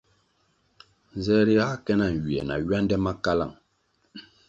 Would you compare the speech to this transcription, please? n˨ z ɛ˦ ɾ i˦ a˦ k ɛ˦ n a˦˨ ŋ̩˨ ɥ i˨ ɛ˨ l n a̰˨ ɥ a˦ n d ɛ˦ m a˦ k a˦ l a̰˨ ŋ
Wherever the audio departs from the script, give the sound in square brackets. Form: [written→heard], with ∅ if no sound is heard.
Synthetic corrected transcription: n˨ z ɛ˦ ɾ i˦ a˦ k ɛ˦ n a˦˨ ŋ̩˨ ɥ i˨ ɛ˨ [l→∅] n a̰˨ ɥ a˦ n d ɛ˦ m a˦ k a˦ l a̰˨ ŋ

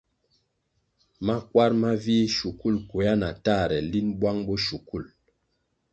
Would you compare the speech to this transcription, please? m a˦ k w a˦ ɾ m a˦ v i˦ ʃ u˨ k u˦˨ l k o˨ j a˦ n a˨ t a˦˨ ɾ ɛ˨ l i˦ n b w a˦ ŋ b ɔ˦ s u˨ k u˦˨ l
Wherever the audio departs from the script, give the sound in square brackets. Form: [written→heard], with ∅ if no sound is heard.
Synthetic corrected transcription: m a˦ k w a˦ ɾ m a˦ v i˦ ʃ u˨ k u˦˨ l k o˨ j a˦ n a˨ t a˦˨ ɾ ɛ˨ l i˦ n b w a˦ ŋ b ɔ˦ [s→ʃ] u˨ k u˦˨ l

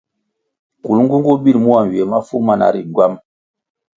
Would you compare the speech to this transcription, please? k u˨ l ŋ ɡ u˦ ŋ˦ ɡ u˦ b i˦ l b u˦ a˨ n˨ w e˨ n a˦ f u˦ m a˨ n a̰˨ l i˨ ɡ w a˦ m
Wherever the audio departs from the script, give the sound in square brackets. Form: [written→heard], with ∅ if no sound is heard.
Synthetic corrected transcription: k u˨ l ŋ ɡ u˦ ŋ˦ ɡ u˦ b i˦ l [b→m] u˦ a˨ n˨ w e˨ [n→m] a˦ f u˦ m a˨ n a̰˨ [l→ɾ] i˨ ɡ w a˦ m

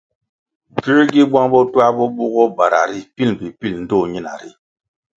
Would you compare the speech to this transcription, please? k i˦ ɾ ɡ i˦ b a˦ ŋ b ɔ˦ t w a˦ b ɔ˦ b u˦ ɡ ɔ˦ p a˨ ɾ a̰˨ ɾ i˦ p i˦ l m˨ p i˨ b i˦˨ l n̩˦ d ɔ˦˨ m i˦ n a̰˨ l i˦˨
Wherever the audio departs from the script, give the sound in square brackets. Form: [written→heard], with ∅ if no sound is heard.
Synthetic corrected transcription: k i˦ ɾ ɡ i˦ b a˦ ŋ b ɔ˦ t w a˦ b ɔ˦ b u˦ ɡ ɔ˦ [p→b] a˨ ɾ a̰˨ ɾ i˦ p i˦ l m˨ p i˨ [b→p] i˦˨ l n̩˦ d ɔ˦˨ [m→ɲ] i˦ n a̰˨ [l→ɾ] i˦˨

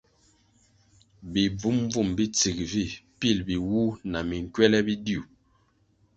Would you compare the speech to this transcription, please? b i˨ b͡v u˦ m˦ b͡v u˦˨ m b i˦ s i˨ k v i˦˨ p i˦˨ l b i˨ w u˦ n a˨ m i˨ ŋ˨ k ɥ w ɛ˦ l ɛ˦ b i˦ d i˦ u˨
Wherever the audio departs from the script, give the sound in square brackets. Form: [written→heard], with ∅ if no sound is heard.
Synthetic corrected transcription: b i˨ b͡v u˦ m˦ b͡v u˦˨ m b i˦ [s→t͡s] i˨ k v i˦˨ p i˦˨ l b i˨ w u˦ n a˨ m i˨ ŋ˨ k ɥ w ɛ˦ l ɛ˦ b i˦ d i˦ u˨

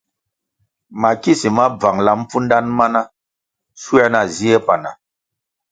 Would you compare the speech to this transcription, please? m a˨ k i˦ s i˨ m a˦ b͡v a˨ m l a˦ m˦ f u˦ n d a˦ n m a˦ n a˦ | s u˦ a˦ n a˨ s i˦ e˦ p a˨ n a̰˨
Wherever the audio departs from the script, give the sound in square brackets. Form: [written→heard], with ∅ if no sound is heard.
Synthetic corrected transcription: m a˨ k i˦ s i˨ m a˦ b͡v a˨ [m→ŋ] l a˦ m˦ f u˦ n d a˦ n m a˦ n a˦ | s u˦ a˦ n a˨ [s→z] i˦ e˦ p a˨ n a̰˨

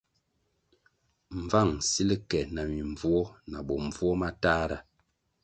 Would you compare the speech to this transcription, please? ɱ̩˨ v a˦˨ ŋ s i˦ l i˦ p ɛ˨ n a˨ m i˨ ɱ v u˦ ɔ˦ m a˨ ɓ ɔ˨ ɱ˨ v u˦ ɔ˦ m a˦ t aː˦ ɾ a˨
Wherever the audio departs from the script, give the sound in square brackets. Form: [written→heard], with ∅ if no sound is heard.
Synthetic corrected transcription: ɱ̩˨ v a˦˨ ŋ s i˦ l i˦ [p→k] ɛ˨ n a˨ m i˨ ɱ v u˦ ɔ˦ [m→n] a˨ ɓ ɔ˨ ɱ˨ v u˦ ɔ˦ m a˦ t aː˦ ɾ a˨

